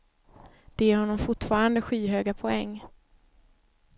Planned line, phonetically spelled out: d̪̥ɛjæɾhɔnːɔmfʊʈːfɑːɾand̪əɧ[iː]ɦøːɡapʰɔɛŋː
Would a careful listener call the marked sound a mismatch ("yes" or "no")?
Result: no